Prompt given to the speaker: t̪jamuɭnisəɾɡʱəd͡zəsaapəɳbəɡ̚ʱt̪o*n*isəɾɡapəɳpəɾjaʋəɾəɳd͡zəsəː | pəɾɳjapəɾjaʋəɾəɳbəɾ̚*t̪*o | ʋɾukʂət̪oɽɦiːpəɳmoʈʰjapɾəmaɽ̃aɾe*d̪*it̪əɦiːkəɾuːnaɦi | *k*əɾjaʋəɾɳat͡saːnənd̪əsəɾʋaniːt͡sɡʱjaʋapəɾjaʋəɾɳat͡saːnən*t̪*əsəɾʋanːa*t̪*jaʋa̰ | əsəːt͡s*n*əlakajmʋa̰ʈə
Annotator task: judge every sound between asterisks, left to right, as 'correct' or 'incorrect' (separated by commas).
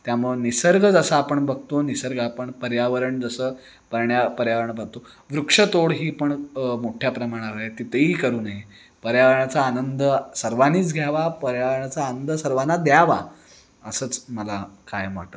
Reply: correct, correct, incorrect, incorrect, incorrect, incorrect, incorrect